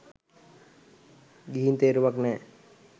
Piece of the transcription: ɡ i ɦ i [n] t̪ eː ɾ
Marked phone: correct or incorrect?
correct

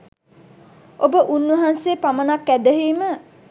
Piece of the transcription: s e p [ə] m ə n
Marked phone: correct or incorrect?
incorrect: a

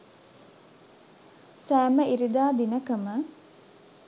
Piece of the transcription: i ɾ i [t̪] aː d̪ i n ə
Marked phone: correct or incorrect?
incorrect: d̪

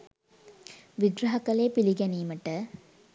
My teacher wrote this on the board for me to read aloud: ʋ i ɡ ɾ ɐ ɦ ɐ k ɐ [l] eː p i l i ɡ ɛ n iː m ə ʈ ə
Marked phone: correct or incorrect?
correct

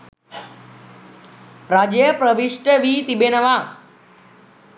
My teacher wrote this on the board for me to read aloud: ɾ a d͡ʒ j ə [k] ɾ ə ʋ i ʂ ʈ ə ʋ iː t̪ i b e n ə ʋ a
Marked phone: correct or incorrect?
incorrect: p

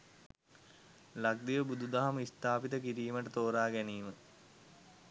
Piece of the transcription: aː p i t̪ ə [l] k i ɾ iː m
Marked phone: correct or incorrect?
incorrect: none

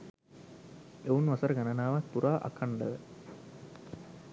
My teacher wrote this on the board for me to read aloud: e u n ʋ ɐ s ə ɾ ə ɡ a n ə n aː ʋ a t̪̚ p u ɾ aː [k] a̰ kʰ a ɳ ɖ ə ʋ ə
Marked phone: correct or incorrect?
incorrect: ʔ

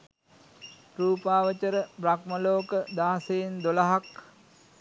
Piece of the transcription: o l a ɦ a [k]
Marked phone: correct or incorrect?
correct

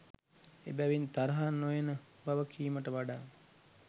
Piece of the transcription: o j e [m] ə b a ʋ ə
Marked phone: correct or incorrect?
incorrect: n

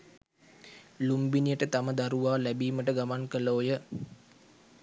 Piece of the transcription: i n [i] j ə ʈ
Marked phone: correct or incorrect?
correct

